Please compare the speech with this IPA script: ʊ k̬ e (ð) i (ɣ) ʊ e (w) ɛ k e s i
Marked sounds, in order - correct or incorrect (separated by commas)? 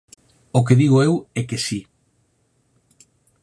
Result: correct, correct, correct